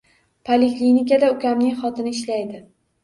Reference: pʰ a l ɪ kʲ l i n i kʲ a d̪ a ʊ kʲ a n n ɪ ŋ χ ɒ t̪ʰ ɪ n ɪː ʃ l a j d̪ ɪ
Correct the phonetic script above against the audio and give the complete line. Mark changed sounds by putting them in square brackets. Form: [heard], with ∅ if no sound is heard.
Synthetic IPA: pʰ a l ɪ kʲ l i n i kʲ a d̪ a ʊ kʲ a [m] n ɪ ŋ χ ɒ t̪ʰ ɪ n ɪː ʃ l a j d̪ ɪ